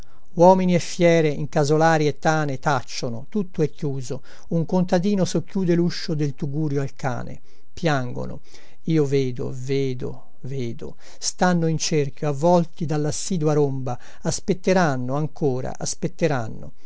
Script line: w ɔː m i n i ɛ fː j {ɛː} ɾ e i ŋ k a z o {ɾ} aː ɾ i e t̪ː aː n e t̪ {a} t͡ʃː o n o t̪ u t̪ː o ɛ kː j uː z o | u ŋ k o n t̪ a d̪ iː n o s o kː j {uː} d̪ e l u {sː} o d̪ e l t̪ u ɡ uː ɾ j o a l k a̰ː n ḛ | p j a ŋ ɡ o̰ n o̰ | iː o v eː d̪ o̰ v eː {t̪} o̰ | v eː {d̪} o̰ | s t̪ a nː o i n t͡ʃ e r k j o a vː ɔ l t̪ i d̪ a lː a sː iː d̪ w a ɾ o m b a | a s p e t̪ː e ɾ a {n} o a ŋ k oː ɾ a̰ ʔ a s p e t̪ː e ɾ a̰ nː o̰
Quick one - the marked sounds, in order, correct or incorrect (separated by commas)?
correct, incorrect, correct, correct, incorrect, incorrect, correct, incorrect